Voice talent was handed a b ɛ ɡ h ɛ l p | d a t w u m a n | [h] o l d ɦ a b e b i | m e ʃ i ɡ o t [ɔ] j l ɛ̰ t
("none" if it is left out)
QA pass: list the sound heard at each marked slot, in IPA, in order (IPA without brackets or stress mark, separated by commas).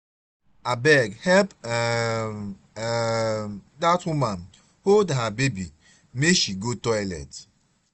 h, ɔ